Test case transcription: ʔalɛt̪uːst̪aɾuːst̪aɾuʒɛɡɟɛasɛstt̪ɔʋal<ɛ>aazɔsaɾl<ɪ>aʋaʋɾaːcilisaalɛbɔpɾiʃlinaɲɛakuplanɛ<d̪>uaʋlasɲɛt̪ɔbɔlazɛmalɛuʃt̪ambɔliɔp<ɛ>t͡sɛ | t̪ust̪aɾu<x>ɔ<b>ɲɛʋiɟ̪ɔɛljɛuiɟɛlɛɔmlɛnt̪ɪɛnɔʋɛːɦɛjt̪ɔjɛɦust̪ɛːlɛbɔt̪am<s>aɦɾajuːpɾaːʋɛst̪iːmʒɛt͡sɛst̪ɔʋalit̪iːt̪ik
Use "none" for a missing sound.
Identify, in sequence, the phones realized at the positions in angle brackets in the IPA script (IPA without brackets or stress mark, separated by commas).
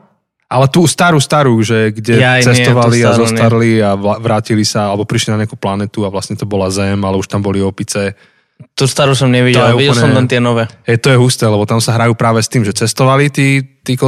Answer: i, i, t̪, i, s, m, s